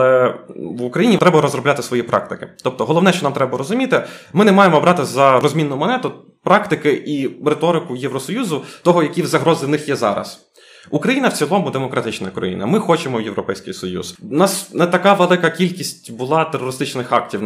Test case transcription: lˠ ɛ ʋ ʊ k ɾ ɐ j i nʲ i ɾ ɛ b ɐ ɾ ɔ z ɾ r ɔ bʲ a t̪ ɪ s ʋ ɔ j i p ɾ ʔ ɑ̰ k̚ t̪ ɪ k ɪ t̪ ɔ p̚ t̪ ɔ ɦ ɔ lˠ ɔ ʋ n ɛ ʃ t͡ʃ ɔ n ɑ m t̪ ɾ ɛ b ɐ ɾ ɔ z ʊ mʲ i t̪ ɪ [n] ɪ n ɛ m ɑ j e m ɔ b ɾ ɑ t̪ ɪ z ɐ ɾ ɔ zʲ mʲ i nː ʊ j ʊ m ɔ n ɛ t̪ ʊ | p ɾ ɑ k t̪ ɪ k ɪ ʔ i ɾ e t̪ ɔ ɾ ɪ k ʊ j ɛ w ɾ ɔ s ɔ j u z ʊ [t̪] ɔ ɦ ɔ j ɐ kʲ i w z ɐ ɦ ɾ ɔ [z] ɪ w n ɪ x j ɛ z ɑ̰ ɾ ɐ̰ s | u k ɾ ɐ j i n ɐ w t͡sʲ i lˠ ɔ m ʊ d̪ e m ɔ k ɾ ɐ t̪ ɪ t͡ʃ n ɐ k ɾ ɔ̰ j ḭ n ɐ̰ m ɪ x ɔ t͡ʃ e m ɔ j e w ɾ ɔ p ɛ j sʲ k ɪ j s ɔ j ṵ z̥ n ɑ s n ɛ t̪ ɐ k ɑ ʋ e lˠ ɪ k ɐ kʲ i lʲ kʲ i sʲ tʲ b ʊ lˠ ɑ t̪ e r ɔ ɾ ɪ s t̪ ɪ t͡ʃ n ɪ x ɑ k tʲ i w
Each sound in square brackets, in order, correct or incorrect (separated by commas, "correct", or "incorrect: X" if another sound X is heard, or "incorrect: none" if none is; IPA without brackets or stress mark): incorrect: m, correct, correct